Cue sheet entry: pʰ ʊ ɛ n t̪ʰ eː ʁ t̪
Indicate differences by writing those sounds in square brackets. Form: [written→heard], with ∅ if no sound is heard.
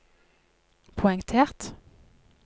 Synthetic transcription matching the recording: pʰ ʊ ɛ [n→ŋ] t̪ʰ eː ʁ t̪

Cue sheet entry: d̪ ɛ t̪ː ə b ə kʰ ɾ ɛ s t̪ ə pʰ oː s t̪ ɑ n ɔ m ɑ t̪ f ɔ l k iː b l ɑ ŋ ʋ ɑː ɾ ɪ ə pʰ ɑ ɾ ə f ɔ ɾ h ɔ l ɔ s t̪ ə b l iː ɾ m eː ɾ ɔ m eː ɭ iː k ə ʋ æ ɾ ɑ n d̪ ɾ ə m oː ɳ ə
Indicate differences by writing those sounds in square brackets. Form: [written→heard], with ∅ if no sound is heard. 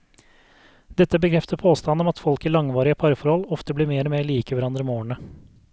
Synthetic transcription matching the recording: d̪ ɛ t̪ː ə b ə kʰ ɾ ɛ [s→f] t̪ ə pʰ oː s t̪ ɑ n ɔ m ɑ t̪ f ɔ l k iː [b→∅] l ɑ ŋ ʋ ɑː ɾ ɪ ə pʰ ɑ ɾ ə f ɔ ɾ h ɔ l ɔ [s→f] t̪ ə b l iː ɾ m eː ɾ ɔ m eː ɭ iː k ə ʋ æ ɾ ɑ n d̪ ɾ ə m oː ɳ ə

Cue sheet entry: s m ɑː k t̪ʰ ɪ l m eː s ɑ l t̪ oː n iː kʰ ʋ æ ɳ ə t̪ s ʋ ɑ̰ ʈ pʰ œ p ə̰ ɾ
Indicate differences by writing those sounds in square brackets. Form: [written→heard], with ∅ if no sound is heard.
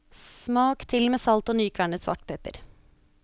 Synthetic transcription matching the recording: s m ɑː k t̪ʰ ɪ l m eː s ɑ l t̪ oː n [iː→yː] kʰ ʋ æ ɳ ə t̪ s ʋ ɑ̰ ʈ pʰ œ p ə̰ ɾ

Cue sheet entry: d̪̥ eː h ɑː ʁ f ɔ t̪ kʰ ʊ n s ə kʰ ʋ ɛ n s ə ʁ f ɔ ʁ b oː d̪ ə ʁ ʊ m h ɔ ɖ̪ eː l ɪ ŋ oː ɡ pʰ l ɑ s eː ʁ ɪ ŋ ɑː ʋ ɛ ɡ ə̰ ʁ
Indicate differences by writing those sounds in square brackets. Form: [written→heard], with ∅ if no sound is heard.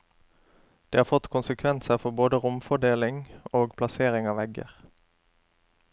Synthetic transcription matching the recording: d̪̥ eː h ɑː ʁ f ɔ t̪ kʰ ʊ n s ə kʰ ʋ ɛ n s ə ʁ f ɔ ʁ b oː d̪ ə ʁ ʊ m [h→f] ɔ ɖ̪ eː l ɪ ŋ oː ɡ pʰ l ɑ s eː ʁ ɪ ŋ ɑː ʋ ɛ ɡ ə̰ ʁ

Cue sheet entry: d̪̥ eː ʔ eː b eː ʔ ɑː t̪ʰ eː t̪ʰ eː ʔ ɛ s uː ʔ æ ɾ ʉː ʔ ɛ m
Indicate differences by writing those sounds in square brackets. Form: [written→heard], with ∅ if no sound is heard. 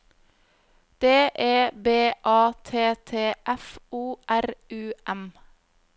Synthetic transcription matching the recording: d̪̥ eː ʔ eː b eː ʔ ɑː t̪ʰ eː t̪ʰ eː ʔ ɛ [s→f] uː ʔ æ ɾ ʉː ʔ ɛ m

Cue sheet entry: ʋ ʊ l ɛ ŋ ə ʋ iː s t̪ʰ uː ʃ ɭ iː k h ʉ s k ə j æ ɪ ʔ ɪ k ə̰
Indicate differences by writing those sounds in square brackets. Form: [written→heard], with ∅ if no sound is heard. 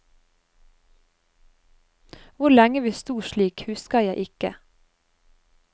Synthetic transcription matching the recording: ʋ ʊ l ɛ ŋ ə ʋ iː s [t̪ʰ→t̪] uː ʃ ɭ iː k h ʉ s k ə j æ ɪ ʔ ɪ k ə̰

